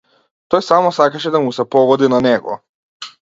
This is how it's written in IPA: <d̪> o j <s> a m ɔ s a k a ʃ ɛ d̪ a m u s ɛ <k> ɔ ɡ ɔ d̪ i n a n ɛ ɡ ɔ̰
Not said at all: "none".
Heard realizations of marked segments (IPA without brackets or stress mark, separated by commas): t̪, s, p